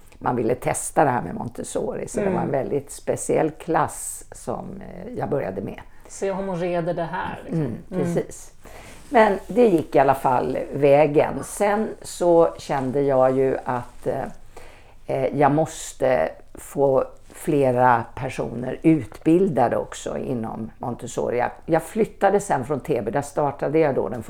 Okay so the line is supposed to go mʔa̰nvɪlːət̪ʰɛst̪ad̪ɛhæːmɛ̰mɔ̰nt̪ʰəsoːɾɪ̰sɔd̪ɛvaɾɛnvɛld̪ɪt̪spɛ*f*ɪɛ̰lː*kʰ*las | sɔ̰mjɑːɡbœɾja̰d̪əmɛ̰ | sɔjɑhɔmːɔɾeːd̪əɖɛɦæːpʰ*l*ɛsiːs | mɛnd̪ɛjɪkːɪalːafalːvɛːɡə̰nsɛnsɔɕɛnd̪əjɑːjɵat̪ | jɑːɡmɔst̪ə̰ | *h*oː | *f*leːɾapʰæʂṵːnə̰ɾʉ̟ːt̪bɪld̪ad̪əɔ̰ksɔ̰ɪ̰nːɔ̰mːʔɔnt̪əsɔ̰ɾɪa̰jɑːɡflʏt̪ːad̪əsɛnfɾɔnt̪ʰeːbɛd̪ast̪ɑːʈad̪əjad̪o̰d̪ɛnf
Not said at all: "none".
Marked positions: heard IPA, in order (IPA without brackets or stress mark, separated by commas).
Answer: s, kʰ, ɾ, f, f